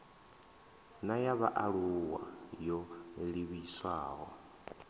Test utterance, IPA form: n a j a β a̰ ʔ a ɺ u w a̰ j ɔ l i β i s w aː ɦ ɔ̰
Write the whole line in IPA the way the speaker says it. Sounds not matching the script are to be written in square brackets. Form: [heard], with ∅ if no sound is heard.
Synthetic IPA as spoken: n a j a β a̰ ʔ a ɺ u w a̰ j ɔ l i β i s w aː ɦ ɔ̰